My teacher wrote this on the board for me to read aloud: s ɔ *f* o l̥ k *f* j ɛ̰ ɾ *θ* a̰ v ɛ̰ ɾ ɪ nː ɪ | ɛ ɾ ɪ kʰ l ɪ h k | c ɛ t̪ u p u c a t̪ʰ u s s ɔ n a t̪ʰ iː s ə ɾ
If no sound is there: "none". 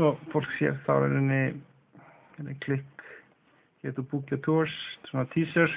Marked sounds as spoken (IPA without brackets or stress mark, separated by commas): f, s, θ